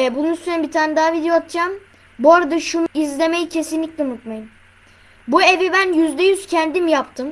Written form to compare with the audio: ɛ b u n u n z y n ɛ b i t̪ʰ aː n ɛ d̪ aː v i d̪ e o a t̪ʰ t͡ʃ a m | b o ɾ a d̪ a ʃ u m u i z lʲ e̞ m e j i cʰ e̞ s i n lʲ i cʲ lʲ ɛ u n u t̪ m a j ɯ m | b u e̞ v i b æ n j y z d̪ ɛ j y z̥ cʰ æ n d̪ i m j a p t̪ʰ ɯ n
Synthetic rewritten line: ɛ b u n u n s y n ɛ b i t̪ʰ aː n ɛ d̪ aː v i d̪ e o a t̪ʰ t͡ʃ a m | b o ɾ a d̪ a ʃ u n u i z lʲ e̞ m e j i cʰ e̞ s i n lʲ i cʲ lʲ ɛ u n u t̪ m a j ɯ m | b u e̞ v i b æ n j y z d̪ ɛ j y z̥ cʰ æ n d̪ i m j a p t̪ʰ ɯ m